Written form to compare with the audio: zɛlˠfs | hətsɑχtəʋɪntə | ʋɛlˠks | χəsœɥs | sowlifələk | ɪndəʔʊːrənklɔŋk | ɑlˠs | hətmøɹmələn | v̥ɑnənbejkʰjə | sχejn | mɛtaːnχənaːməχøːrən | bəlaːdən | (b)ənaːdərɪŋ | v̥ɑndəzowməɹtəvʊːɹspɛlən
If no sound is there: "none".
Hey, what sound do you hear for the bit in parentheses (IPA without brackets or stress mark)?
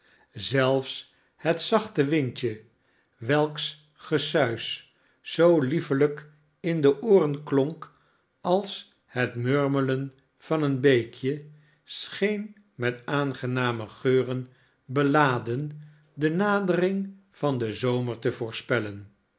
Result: d